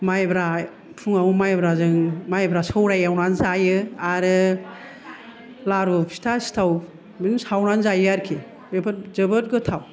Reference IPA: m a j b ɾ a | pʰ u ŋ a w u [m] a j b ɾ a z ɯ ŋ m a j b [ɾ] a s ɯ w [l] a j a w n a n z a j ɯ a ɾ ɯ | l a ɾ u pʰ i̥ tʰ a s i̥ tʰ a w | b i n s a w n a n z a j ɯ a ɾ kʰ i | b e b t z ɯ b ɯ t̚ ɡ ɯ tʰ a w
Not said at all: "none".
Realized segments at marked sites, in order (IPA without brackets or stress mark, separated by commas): m, ɾ, ɾ